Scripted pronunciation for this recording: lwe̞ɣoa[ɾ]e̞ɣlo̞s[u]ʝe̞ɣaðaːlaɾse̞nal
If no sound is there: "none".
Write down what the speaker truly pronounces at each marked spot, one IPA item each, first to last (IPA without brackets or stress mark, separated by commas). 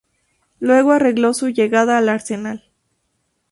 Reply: r, u